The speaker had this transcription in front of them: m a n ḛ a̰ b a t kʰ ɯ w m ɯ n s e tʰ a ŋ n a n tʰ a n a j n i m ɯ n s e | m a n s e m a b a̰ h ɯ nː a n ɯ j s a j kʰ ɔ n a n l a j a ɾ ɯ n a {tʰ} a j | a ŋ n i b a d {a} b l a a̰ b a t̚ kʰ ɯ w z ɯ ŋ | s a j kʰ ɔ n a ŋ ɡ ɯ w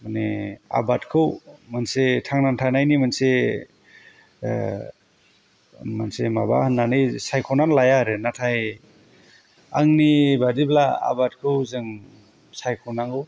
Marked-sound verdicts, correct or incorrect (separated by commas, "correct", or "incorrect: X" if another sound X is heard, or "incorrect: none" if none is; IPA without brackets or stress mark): correct, incorrect: i